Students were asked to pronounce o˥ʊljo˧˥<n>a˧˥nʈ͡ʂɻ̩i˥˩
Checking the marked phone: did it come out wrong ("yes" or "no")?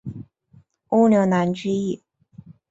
no